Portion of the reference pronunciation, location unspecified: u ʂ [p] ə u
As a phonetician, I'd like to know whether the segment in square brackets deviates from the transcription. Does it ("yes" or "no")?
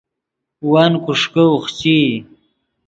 yes